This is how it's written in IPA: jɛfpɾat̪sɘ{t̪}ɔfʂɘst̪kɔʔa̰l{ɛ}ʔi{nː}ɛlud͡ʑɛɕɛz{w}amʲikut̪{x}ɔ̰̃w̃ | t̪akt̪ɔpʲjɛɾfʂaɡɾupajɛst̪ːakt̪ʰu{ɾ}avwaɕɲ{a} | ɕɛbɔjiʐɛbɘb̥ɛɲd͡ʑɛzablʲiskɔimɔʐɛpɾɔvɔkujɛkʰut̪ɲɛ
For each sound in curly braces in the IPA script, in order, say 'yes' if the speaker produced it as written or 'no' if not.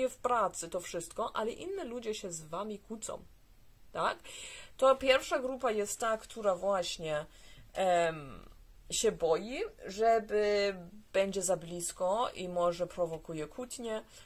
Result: yes, yes, yes, no, no, yes, no

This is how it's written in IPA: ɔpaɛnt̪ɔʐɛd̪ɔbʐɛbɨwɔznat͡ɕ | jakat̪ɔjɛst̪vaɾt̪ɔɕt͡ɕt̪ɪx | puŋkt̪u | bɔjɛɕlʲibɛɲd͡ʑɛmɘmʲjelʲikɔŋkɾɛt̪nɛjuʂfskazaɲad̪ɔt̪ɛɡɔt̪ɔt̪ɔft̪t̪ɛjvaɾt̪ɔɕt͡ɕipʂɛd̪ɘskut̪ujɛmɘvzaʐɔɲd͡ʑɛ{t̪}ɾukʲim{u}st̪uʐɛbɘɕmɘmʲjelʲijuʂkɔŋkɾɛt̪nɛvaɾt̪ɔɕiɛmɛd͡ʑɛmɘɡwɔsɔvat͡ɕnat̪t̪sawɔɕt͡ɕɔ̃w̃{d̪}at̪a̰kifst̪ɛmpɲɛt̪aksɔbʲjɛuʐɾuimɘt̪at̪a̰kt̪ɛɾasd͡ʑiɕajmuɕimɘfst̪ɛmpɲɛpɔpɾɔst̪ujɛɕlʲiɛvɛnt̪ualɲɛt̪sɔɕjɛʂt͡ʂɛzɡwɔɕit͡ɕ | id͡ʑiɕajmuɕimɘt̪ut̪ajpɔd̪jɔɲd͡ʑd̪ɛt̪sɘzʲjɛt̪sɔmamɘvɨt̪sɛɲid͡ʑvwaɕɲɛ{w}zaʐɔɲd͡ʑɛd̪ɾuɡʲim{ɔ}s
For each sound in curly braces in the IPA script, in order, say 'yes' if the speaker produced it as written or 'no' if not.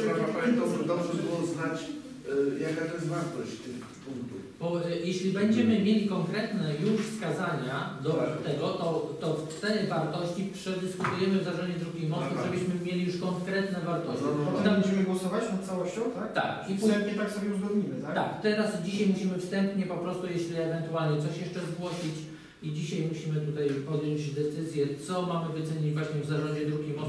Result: no, no, no, no, yes

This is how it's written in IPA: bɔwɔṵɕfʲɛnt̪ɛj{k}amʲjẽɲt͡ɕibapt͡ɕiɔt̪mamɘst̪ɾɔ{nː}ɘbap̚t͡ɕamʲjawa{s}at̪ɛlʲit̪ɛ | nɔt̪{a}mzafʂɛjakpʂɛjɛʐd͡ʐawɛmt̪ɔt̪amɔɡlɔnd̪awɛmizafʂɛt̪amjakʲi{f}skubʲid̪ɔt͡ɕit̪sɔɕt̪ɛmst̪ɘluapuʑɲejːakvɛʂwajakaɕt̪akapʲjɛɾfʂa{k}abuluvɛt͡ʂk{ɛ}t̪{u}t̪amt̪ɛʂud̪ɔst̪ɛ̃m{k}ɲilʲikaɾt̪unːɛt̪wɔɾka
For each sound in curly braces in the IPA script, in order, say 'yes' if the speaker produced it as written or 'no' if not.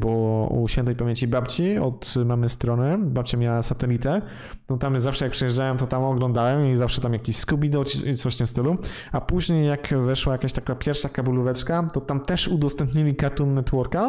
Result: no, no, yes, yes, no, yes, no, no, no

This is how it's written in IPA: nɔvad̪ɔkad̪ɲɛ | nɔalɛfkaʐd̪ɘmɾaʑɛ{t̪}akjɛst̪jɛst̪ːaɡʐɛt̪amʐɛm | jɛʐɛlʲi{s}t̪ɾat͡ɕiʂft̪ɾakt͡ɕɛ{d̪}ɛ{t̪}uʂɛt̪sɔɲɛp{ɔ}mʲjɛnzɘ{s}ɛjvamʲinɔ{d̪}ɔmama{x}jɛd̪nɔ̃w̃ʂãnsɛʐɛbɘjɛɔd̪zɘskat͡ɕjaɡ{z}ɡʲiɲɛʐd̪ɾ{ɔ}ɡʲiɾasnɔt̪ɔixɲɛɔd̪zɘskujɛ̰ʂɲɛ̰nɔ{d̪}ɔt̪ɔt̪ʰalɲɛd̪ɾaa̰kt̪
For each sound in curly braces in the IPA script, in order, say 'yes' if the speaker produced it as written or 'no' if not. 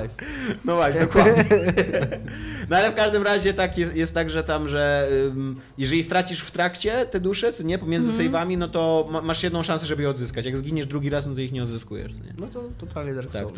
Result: yes, yes, no, no, yes, yes, no, no, yes, no, no

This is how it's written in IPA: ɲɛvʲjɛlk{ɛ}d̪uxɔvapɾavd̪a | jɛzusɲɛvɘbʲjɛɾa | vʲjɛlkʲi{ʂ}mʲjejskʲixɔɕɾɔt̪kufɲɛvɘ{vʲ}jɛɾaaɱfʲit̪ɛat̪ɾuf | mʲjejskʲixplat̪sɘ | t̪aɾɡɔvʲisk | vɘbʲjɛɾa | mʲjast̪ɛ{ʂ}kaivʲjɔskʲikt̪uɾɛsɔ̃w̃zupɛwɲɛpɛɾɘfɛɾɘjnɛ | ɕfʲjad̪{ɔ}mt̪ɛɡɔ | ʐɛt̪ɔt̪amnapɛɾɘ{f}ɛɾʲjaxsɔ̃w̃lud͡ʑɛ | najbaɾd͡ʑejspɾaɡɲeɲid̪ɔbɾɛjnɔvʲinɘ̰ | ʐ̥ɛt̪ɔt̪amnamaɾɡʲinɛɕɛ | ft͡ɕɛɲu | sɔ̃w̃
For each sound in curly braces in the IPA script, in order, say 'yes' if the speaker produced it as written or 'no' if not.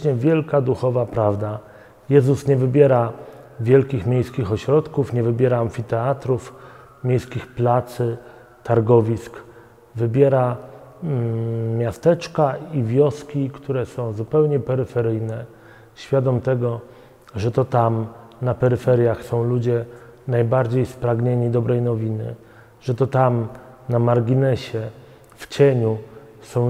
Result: no, no, no, no, yes, yes

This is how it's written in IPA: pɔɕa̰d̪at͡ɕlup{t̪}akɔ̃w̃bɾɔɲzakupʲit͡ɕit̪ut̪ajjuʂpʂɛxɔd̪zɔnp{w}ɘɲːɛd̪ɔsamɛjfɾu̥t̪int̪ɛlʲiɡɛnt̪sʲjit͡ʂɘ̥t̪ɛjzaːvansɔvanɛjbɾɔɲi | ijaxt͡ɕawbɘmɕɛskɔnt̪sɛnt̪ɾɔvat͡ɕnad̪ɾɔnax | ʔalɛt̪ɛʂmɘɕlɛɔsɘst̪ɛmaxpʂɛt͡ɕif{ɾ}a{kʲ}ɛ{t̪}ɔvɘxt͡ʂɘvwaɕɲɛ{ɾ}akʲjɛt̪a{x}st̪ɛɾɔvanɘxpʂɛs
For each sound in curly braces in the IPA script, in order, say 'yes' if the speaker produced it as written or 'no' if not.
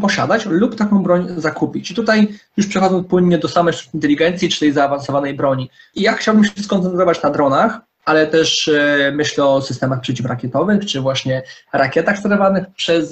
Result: yes, yes, yes, yes, yes, yes, yes

